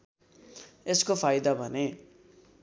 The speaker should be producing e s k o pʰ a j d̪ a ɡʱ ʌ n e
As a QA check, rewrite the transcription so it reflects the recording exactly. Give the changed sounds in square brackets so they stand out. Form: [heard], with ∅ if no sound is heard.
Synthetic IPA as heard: e s k o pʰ a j d̪ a [bʱ] ʌ n e